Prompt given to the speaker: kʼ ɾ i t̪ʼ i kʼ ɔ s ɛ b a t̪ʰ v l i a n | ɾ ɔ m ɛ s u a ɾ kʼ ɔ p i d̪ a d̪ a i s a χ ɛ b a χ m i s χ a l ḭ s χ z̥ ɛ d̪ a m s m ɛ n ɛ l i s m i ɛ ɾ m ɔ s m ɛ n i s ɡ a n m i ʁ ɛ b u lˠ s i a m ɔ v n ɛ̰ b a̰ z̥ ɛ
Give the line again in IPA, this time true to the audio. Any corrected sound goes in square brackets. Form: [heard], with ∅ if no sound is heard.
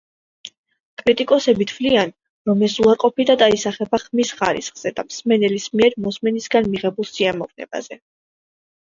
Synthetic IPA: kʼ ɾ i t̪ʼ i kʼ ɔ s ɛ b [i] t̪ʰ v l i a n | ɾ ɔ m ɛ s u a ɾ [qʼ] ɔ p i d̪ a d̪ a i s a χ ɛ b a χ m i s χ a [ɾ] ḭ s χ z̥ ɛ d̪ a m s m ɛ n ɛ l i s m i ɛ ɾ m ɔ s m ɛ n i s ɡ a n m i ʁ ɛ b u lˠ s i a m ɔ v n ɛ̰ b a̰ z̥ ɛ